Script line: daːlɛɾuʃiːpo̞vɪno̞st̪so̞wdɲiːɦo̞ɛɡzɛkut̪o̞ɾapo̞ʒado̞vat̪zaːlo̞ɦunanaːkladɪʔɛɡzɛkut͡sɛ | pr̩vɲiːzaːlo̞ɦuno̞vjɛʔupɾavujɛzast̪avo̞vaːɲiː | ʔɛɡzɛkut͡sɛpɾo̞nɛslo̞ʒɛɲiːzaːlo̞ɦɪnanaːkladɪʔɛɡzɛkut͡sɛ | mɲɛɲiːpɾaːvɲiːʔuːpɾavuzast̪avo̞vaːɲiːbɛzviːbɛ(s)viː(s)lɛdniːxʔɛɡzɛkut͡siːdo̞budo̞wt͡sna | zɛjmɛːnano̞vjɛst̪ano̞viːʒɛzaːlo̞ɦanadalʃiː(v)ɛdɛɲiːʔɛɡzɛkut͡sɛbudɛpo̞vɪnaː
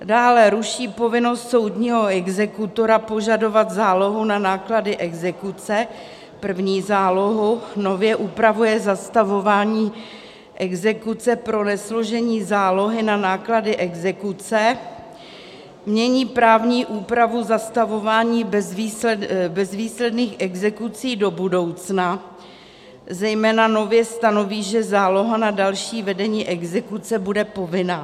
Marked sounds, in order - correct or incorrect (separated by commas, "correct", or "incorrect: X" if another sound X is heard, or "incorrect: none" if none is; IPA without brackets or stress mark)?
incorrect: z, correct, correct